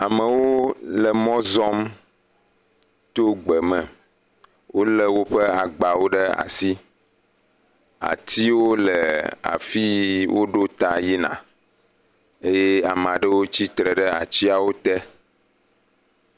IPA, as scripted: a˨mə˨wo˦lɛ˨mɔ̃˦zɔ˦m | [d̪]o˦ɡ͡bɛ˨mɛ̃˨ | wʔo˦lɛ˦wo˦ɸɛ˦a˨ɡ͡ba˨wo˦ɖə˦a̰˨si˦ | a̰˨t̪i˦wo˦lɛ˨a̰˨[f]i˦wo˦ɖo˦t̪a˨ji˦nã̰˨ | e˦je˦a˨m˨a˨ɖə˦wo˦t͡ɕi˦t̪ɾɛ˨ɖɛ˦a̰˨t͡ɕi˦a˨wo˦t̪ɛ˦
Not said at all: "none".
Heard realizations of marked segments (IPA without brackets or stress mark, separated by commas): t̪, f